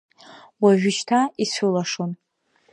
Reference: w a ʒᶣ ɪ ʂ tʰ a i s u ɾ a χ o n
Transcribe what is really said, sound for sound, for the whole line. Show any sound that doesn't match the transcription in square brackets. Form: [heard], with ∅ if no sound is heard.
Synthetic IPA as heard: w a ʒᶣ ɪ [ʃ] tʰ a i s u [l] a [ʂ] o n

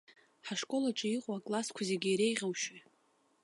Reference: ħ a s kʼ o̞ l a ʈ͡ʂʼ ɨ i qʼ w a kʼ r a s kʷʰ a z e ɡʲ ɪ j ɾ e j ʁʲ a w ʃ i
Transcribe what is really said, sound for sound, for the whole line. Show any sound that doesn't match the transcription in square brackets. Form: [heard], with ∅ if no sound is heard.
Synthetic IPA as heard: ħ a [ʂ] kʼ o̞ l a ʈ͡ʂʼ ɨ i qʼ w a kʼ [l] a s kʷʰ a z e ɡʲ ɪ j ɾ e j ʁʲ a w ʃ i

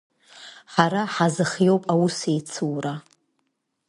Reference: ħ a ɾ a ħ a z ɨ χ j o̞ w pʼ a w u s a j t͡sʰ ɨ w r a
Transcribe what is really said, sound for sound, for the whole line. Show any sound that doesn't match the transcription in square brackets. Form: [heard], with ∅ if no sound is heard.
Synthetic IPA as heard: ħ a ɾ a ħ a z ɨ χ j o̞ w pʼ a w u s [e] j t͡sʰ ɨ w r a

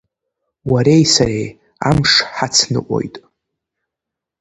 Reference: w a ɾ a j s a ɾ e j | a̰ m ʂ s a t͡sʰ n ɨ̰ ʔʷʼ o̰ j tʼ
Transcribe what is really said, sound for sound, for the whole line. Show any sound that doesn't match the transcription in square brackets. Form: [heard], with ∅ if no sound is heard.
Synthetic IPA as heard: w a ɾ [e] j s a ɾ e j | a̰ m ʂ [ħ] a t͡sʰ n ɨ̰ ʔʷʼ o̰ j tʼ

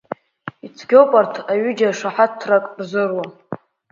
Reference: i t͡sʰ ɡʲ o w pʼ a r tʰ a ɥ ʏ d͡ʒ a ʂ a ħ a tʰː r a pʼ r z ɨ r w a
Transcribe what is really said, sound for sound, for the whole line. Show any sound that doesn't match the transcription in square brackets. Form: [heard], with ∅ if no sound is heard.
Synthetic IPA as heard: i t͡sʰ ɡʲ o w pʼ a r tʰ a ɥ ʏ d͡ʒ a ʂ a ħ a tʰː r a [kʼ] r z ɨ r w a

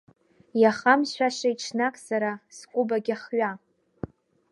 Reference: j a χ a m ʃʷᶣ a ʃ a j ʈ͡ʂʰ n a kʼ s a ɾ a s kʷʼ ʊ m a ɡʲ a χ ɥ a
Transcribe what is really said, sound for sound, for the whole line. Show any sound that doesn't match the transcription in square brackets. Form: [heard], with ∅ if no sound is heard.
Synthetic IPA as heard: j a χ a m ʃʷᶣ a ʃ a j ʈ͡ʂʰ n a kʼ s a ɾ a s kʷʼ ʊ [b] a ɡʲ a χ ɥ a

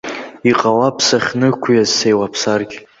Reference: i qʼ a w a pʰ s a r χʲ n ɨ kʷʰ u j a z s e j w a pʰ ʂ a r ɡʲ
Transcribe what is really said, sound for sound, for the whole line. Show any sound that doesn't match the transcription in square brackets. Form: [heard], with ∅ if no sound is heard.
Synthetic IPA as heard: i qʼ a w a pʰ s a [∅] χʲ n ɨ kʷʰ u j a z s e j w a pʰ [s] a r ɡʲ

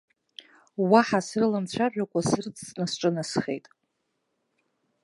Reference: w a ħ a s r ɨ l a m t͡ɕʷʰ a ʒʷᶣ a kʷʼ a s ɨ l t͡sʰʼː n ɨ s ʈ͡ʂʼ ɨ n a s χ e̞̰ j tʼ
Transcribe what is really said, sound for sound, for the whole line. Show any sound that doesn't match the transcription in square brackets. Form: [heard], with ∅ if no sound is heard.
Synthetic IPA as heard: w a ħ a s r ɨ l a m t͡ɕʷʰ a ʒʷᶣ a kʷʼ a s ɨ [r] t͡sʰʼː n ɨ s ʈ͡ʂʼ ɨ n a s χ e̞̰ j tʼ

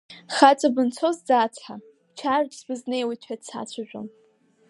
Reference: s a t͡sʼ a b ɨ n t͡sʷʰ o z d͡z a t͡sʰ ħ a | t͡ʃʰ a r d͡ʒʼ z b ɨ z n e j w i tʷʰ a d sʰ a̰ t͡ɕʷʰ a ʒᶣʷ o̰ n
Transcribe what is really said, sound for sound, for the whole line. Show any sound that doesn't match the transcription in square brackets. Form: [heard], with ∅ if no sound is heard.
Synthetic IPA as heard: [χ] a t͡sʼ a b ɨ n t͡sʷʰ o z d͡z a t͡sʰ ħ a | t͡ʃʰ a r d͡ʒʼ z b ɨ z n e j w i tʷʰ a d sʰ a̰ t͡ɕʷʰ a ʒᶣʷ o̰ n

